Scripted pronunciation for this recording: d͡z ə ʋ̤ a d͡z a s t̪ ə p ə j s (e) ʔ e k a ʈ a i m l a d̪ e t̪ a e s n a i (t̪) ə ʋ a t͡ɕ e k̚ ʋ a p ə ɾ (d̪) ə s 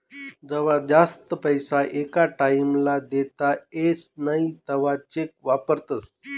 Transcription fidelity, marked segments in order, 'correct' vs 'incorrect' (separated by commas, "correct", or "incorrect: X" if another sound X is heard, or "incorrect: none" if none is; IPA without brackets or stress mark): incorrect: a, correct, incorrect: t̪